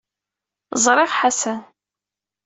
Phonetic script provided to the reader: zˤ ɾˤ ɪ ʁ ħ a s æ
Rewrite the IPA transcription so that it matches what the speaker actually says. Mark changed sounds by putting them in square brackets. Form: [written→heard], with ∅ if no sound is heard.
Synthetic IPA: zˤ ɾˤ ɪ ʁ ħ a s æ